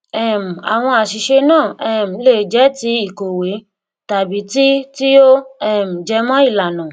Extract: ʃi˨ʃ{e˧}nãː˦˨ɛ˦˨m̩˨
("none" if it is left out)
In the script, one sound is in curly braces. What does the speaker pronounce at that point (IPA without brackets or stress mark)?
e˧